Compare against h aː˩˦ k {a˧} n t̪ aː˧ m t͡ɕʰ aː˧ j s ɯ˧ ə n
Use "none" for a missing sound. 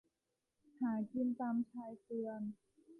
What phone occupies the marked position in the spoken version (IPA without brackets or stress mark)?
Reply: i˧